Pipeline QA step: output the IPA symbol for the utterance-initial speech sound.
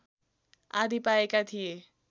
a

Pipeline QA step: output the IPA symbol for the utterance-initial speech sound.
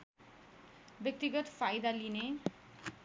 b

